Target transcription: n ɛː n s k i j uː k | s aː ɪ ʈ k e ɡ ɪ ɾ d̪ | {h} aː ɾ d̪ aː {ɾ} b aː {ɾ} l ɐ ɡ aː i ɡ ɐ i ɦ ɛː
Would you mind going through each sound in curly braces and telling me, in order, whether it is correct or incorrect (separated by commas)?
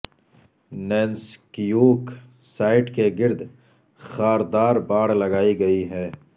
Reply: incorrect, correct, incorrect